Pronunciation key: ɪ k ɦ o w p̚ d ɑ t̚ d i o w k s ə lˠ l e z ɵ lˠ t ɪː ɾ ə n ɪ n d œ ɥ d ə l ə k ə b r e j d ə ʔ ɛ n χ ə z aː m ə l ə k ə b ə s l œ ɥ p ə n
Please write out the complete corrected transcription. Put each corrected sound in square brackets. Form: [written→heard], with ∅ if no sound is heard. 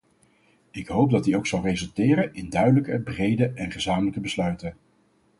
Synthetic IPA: ɪ k ɦ o w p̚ d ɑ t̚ d i o w k s [ə→ɑ] lˠ [l→r] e z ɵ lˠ t ɪː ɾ ə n ɪ n d œ ɥ d ə l ə k ə b r e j d ə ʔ ɛ n χ ə z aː m ə l ə k ə b ə s l œ ɥ [p→t] ə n